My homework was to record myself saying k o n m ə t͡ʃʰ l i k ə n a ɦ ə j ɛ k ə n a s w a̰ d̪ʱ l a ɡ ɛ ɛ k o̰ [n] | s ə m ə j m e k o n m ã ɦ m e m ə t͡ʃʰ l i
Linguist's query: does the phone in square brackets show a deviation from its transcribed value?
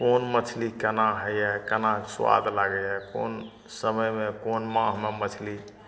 no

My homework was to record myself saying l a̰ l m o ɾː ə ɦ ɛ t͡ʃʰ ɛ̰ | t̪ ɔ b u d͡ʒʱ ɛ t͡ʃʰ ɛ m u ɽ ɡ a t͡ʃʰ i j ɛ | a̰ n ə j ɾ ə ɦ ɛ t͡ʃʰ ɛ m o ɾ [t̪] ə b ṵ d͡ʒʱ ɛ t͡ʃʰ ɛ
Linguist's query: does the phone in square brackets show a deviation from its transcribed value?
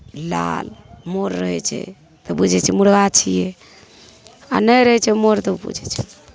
no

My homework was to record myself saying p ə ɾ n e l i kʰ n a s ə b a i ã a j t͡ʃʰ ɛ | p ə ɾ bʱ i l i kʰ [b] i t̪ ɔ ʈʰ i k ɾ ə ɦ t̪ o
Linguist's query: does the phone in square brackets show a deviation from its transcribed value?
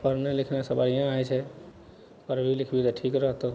no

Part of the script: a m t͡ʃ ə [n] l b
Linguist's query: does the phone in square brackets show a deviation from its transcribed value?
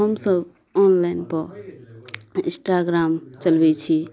yes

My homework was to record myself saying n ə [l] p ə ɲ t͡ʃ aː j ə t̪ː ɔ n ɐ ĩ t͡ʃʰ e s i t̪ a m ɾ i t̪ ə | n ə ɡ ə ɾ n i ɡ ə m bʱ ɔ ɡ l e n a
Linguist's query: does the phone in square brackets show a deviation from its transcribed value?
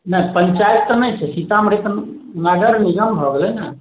yes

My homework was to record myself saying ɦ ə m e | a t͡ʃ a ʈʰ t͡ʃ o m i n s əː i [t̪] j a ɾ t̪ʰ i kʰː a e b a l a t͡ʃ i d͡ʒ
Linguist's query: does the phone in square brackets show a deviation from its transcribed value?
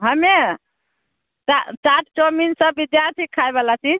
yes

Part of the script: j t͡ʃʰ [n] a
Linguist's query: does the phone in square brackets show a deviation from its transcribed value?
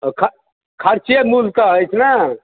no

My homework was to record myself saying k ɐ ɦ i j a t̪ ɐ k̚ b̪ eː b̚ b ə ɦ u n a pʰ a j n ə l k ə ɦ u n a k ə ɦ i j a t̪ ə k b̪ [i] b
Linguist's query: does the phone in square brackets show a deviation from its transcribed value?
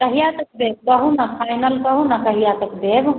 yes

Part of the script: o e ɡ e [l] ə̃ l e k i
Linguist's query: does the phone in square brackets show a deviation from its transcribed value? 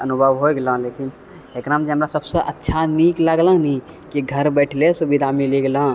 no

